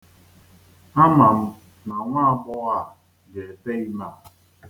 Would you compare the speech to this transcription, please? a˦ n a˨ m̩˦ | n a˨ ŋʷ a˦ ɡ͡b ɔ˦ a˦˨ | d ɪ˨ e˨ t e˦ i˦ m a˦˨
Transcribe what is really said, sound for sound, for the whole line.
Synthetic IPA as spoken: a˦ m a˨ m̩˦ | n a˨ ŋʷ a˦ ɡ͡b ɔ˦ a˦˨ | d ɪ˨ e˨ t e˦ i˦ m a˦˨